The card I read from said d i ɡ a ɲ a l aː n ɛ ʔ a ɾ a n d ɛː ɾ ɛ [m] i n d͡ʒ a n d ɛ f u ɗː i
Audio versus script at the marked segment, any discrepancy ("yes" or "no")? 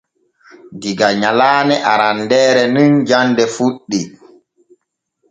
yes